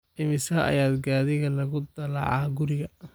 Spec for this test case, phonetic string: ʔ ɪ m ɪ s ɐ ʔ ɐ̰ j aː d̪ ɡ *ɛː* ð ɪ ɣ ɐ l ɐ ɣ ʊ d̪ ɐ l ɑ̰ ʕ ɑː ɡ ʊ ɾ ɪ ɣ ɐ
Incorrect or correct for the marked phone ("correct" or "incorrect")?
incorrect